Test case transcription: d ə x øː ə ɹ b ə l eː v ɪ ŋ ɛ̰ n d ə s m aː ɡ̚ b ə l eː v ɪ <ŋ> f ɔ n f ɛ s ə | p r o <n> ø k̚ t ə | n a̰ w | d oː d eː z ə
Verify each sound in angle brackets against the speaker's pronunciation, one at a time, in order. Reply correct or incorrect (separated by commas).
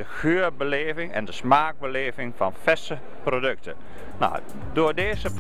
correct, incorrect